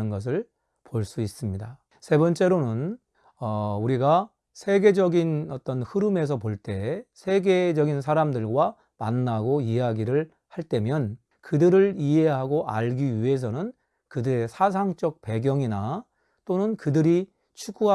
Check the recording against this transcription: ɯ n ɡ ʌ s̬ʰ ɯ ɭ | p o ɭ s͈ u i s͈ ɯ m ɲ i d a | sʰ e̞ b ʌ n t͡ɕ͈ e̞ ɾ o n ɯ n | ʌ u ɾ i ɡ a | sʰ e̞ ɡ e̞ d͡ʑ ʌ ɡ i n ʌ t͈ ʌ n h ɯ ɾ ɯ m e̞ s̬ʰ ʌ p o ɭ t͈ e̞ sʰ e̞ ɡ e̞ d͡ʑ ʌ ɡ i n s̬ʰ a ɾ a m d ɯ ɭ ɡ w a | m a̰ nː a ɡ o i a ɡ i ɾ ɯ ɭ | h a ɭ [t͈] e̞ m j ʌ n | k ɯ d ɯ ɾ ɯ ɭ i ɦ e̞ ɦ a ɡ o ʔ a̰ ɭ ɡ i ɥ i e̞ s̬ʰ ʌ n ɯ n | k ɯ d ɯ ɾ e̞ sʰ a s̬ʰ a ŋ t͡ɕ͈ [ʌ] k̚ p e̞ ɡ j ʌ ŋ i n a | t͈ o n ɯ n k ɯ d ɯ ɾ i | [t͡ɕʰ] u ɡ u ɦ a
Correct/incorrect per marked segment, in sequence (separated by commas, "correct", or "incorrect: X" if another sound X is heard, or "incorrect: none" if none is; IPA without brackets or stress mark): correct, correct, correct